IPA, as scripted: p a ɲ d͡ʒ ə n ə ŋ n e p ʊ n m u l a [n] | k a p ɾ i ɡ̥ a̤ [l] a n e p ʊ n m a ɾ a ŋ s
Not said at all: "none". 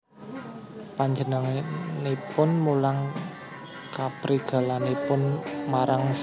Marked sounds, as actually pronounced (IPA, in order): ŋ, l

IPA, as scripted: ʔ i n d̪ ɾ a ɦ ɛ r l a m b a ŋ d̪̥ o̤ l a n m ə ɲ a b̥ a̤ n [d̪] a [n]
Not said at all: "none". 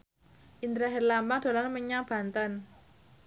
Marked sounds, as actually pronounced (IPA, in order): t̪, n

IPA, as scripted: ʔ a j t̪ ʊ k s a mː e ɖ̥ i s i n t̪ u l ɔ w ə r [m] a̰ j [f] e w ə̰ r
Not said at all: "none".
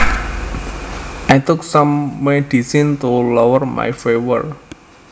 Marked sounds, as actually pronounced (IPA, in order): m, f

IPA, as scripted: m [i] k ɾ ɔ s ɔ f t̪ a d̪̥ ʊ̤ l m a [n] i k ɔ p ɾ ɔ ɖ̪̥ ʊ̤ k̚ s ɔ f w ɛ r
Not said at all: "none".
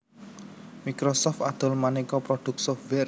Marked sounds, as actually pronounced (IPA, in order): i, n

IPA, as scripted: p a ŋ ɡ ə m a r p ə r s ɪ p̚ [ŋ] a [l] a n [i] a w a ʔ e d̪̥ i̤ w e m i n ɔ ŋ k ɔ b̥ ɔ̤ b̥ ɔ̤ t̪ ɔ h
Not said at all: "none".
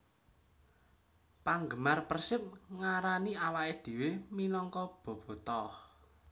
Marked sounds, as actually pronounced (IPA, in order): ŋ, ɾ, i

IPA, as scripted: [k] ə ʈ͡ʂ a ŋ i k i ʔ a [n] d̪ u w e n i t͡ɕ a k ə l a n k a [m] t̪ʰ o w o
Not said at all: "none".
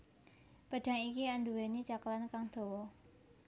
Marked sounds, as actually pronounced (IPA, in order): p, n, ŋ

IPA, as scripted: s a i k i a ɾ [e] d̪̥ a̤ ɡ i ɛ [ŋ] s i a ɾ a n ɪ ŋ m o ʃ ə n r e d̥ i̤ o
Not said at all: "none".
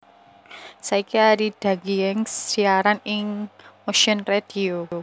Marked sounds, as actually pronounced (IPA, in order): i, ŋ

